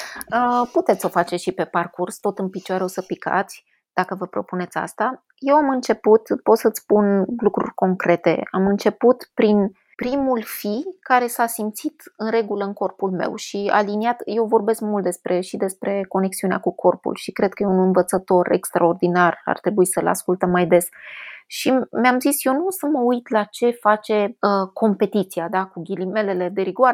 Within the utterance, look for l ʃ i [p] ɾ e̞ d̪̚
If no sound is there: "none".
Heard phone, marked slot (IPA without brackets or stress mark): k